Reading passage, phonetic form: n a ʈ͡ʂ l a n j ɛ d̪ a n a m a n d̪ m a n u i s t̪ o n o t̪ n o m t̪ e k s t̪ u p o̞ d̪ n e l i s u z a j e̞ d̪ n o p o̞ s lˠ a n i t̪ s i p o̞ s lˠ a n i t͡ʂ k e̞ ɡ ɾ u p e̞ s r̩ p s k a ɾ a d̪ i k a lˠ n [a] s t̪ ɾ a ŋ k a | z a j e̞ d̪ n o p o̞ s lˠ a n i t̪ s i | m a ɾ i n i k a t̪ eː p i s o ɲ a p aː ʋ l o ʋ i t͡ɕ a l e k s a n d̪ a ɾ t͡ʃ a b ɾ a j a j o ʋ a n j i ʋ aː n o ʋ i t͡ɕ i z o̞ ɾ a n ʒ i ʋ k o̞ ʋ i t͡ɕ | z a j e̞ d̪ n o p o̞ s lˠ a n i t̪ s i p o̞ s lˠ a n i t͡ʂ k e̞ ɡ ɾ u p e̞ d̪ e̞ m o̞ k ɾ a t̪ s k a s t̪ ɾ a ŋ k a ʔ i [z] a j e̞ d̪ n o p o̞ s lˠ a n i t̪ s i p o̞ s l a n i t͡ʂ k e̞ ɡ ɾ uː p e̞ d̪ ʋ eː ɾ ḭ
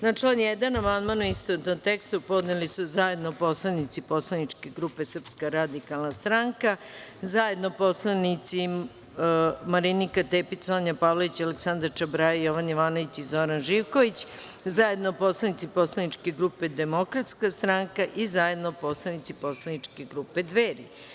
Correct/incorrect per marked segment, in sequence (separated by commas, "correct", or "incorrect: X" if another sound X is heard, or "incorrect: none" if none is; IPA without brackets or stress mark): correct, correct